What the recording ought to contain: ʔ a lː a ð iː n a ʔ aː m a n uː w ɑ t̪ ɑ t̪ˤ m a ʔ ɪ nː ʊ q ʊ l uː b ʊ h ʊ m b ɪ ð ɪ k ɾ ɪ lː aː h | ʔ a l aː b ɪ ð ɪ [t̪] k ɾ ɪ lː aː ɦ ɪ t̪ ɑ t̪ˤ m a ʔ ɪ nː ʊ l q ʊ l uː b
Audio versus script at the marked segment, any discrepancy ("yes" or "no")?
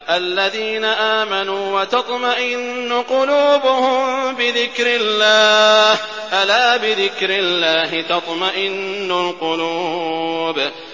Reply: yes